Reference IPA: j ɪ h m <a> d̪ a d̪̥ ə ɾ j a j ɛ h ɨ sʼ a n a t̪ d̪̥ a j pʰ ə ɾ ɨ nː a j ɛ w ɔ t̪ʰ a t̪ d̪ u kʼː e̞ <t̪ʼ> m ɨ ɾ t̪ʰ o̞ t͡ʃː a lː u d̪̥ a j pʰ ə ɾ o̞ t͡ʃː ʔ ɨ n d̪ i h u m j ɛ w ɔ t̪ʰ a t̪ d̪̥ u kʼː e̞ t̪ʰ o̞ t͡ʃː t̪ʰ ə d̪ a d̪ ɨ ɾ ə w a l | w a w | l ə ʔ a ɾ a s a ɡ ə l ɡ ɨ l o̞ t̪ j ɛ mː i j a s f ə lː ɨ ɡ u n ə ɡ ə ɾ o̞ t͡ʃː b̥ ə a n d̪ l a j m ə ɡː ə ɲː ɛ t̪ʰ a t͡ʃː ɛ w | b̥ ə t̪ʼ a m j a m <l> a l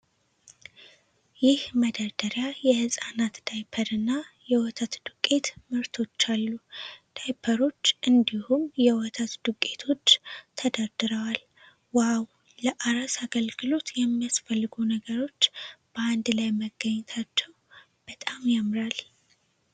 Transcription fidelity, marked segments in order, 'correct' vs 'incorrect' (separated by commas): incorrect, incorrect, incorrect